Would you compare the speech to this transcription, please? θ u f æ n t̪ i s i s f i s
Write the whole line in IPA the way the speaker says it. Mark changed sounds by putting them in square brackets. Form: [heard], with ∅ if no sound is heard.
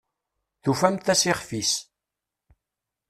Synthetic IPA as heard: θ u f æ [m] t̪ [æ] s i [χ] f i s